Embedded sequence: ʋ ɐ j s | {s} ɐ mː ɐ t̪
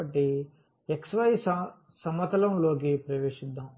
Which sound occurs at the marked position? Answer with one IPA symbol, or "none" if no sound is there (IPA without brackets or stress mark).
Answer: s